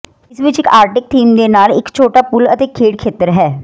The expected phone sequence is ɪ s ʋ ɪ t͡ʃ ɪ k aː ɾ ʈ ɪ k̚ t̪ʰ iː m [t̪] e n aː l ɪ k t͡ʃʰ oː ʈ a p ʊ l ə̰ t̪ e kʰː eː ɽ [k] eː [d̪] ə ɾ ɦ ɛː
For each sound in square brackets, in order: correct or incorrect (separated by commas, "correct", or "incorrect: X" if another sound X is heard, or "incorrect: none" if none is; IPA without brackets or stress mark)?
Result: incorrect: d̪, incorrect: kʰ, incorrect: t̪